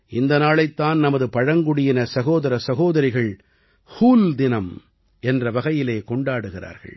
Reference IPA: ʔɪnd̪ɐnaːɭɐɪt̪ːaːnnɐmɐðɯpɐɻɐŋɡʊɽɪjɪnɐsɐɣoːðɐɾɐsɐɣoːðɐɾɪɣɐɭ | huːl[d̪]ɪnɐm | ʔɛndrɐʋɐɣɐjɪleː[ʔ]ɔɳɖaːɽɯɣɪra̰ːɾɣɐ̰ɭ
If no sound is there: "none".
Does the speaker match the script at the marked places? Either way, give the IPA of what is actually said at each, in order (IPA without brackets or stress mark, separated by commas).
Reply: d̪, k